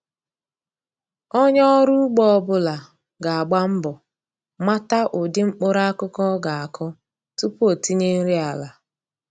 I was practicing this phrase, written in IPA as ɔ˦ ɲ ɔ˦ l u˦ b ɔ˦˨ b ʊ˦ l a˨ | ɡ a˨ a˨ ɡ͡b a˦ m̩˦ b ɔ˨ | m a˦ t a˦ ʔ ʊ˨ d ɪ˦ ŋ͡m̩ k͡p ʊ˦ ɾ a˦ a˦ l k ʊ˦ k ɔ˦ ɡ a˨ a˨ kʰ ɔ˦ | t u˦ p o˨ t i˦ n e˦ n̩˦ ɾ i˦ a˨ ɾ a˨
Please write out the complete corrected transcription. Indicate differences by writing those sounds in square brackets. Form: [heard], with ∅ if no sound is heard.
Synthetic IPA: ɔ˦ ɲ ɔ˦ [ɾ] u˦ [ɡ͡b] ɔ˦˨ b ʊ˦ l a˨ | ɡ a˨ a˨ ɡ͡b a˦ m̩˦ b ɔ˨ | m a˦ t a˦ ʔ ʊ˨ d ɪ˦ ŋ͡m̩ k͡p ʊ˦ ɾ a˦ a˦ [∅] k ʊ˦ k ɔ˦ ɡ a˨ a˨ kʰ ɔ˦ | t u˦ p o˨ t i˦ [ɲ] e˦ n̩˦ ɾ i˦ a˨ [l] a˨